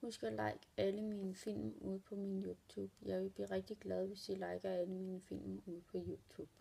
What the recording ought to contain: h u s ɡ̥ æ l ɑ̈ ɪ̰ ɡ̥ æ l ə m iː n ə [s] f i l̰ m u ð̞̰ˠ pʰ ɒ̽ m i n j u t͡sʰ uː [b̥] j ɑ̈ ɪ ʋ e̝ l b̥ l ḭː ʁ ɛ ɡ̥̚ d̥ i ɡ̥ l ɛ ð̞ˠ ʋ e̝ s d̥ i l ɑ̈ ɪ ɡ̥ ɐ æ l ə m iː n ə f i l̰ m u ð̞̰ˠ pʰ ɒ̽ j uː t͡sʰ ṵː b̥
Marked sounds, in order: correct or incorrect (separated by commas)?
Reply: incorrect, correct